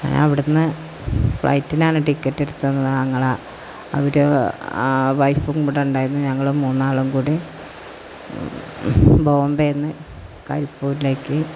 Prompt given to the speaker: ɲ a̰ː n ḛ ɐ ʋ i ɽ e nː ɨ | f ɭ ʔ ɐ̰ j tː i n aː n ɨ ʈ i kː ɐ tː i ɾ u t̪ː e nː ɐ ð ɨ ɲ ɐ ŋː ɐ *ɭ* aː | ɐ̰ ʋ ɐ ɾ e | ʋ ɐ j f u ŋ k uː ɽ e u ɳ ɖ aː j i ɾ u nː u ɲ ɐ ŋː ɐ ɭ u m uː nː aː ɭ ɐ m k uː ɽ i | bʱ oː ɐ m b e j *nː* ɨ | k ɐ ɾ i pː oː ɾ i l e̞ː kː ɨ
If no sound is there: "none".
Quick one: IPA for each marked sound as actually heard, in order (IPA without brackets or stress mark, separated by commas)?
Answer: ɭ, nː